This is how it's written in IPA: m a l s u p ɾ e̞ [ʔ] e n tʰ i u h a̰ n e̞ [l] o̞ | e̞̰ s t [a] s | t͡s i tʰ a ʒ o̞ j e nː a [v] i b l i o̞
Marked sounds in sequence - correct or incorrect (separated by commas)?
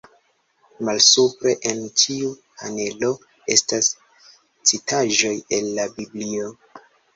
correct, correct, correct, incorrect